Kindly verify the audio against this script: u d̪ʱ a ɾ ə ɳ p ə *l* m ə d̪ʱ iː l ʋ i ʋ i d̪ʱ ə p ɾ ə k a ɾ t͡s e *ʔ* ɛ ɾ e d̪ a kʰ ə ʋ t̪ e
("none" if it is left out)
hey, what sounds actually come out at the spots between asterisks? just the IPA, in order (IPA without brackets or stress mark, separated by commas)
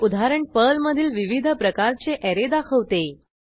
l, ʔ